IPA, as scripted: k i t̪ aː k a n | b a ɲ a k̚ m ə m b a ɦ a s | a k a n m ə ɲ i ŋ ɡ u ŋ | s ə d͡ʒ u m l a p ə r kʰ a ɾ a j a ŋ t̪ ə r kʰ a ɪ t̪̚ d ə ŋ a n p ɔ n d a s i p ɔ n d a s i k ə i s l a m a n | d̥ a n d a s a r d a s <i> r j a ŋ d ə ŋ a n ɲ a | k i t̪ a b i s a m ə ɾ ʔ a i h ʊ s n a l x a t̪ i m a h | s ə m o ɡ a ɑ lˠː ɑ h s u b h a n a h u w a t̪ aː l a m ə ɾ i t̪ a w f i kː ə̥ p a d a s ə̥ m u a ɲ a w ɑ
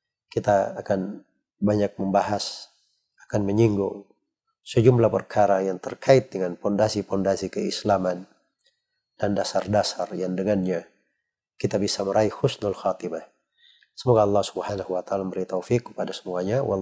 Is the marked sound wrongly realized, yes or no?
yes